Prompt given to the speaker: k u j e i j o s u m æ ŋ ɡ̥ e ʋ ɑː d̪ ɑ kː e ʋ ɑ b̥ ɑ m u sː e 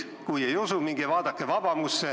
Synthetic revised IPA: k u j e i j o s u m i ŋ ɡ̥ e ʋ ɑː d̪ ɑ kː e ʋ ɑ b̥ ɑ m u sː e